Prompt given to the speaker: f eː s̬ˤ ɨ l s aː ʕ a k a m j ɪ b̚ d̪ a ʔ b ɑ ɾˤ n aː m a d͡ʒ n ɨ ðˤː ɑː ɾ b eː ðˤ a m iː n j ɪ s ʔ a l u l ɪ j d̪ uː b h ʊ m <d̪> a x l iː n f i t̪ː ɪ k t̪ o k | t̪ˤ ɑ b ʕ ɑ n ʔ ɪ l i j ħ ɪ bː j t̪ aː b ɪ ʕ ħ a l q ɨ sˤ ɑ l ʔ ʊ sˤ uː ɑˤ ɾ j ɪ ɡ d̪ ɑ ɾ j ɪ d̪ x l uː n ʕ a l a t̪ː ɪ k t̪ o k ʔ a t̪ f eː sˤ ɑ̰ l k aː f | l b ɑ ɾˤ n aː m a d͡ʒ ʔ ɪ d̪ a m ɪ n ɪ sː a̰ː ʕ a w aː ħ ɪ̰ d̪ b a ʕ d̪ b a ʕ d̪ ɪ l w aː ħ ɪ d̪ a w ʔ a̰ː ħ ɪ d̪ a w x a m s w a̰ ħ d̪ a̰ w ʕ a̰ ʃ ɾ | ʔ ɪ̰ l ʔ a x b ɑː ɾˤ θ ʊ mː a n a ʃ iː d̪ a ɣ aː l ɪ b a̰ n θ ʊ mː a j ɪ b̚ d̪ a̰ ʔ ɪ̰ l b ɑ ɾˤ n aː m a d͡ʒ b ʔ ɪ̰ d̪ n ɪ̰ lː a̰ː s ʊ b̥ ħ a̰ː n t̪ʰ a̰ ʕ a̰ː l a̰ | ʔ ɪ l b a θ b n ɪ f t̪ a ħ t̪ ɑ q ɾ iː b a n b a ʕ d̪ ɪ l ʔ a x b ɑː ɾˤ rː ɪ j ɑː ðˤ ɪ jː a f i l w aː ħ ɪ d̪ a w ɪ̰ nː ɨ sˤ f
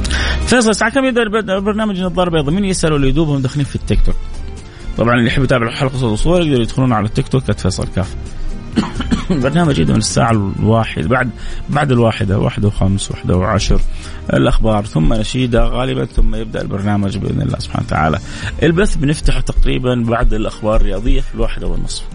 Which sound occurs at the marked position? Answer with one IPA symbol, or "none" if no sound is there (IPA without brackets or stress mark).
d̪